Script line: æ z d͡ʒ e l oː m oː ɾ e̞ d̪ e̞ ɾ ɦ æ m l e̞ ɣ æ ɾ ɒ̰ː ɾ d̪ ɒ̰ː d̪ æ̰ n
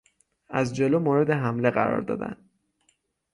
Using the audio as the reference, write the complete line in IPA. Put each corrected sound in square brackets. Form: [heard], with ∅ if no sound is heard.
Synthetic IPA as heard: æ z d͡ʒ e l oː m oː ɾ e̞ d̪ e̞ [∅] ɦ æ m l e̞ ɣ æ ɾ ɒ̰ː ɾ d̪ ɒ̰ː d̪ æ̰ n